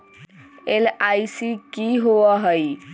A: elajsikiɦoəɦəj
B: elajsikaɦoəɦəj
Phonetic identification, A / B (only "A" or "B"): A